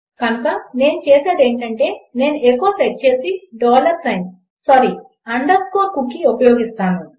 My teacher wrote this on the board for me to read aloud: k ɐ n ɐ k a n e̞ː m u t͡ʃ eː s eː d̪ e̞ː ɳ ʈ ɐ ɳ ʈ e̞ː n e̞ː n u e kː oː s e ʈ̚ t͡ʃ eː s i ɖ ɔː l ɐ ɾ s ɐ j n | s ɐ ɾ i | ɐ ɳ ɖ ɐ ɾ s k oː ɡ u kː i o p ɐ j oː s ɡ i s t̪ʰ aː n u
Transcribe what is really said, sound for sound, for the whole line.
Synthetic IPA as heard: k ɐ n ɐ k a n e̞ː n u t͡ʃ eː s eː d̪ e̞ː ɳ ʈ ɐ ɳ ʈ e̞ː n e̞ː n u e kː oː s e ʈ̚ t͡ʃ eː s i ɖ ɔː l ɐ ɾ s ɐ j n | s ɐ ɾ i | ɐ ɳ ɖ ɐ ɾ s k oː k u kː i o p ɐ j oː ɡ i s t̪ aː n u